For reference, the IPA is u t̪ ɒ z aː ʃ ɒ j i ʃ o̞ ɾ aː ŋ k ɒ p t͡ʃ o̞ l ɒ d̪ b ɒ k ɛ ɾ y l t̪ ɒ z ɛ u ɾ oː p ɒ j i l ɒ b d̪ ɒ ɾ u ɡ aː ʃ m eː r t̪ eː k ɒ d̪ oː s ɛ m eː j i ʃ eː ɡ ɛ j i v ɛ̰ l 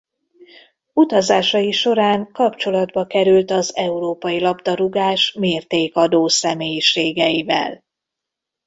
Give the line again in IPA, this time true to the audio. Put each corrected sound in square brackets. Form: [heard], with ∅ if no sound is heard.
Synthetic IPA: u t̪ ɒ z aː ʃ ɒ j i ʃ o̞ ɾ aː ŋ k ɒ p t͡ʃ o̞ l ɒ d̪ b ɒ k ɛ ɾ y l t̪ ɒ z ɛ u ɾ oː p ɒ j i l ɒ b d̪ ɒ ɾ u ɡ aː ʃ m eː r t̪ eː k ɒ d̪ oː s ɛ m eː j i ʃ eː ɡ ɛ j i v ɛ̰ l

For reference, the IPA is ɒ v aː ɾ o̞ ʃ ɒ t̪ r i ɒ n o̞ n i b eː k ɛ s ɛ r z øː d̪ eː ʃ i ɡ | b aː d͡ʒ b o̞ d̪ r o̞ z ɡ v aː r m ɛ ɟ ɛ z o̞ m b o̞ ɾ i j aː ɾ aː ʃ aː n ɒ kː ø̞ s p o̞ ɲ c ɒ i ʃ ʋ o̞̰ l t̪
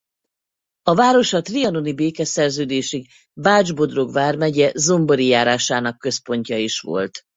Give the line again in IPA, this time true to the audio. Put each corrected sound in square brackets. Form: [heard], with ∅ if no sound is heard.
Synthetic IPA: ɒ v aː ɾ o̞ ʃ ɒ t̪ r i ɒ n o̞ n i b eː k ɛ s ɛ r z øː d̪ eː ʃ i ɡ | b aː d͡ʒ b o̞ d̪ r o̞ [∅] ɡ v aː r m ɛ ɟ ɛ z o̞ m b o̞ ɾ i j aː ɾ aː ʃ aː n ɒ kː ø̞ s p o̞ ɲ c ɒ i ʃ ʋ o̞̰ l t̪

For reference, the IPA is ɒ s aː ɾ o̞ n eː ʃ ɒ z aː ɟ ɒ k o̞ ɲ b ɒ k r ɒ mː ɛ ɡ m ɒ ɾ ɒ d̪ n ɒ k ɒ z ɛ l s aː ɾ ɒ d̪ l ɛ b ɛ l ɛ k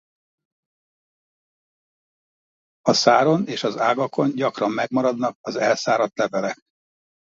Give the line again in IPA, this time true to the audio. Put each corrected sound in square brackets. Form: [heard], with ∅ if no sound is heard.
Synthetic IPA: ɒ s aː ɾ o̞ n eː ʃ ɒ z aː [ɡ] ɒ k o̞ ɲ [ɟ] ɒ k r ɒ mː ɛ ɡ m ɒ ɾ ɒ d̪ n ɒ k ɒ z ɛ l s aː ɾ ɒ [t̪] l ɛ [v] ɛ l ɛ k

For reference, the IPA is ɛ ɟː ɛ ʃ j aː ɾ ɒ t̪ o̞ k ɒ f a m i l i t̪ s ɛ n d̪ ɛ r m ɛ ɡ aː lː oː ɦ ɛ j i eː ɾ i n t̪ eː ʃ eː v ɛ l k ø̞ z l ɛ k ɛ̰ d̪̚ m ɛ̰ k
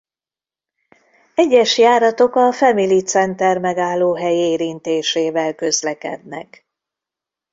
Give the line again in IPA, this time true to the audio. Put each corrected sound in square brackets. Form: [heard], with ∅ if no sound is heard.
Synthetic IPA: ɛ ɟː ɛ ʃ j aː ɾ ɒ t̪ o̞ k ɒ f [ɛ] m i l i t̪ s ɛ n [t̪] ɛ r m ɛ ɡ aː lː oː ɦ ɛ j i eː ɾ i n t̪ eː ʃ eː v ɛ l k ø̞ z l ɛ k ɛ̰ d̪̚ [n] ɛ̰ k

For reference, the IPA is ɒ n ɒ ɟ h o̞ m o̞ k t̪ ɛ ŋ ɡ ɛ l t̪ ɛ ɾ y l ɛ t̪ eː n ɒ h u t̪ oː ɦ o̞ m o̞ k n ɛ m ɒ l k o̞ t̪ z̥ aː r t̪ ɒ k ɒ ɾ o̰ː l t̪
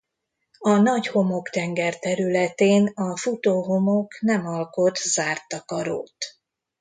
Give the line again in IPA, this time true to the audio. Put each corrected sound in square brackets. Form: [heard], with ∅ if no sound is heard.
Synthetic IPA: ɒ n ɒ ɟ h o̞ m o̞ k t̪ ɛ ŋ ɡ ɛ [r] t̪ ɛ ɾ y l ɛ t̪ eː n ɒ [f] u t̪ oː ɦ o̞ m o̞ k n ɛ m ɒ l k o̞ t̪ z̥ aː r t̪ ɒ k ɒ ɾ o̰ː [∅] t̪

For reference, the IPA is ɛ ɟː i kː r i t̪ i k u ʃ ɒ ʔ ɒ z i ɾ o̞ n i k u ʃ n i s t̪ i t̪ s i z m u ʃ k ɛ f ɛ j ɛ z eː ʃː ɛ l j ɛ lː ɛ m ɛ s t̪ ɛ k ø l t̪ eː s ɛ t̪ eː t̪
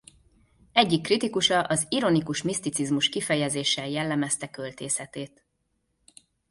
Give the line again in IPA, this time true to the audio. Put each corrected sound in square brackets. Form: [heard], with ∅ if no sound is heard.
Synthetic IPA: ɛ ɟː i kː r i t̪ i k u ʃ ɒ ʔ ɒ z i ɾ o̞ n i k u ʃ [m] i s t̪ i t̪ s i z m u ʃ k [i] f ɛ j ɛ z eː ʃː ɛ l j ɛ lː ɛ m ɛ s t̪ ɛ k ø l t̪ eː s ɛ t̪ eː t̪

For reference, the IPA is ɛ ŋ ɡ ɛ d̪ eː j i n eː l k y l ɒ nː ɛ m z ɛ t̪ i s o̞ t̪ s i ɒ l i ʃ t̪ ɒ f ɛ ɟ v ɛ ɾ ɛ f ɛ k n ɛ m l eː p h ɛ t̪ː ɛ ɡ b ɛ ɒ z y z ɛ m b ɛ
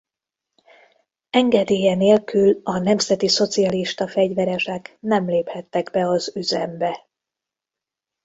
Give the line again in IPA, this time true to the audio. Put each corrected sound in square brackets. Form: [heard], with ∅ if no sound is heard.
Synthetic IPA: ɛ ŋ ɡ ɛ d̪ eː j [ɛ] n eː l k y l ɒ [n] ɛ m z ɛ t̪ i s o̞ t̪ s i ɒ l i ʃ t̪ ɒ f ɛ ɟ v ɛ ɾ ɛ [ʃ] ɛ k n ɛ m l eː p h ɛ t̪ː ɛ ɡ b ɛ ɒ z y z ɛ m b ɛ

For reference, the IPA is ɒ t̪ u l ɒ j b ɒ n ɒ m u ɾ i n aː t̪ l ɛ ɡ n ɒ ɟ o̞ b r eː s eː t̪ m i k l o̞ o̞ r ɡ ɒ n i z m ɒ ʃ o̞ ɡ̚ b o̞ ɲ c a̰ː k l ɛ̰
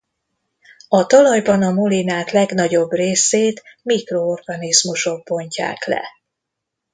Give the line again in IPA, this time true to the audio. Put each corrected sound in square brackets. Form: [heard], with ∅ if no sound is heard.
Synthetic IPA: ɒ t̪ [ɒ] l ɒ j b ɒ n ɒ m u [l] i n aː t̪ l ɛ ɡ n ɒ ɟ o̞ b r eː s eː t̪ m i k [r] o̞ o̞ r ɡ ɒ n i z m [u] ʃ o̞ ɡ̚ b o̞ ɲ c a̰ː k l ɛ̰

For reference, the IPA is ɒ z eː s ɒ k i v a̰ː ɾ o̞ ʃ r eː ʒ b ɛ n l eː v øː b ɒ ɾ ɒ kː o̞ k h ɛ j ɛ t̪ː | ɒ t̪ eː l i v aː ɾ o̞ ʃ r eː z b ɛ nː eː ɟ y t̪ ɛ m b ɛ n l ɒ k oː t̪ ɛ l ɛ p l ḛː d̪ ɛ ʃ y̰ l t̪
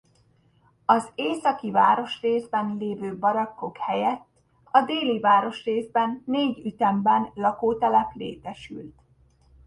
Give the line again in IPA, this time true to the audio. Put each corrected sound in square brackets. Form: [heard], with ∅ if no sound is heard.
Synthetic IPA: ɒ z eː s ɒ k i v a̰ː ɾ o̞ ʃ r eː [z] b ɛ n l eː v øː b ɒ ɾ ɒ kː o̞ k h ɛ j ɛ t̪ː | ɒ [d̪] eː l i v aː ɾ o̞ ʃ r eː z b ɛ nː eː ɟ y t̪ ɛ m b ɛ n l ɒ k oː t̪ ɛ l ɛ p l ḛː [t̪] ɛ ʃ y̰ l t̪

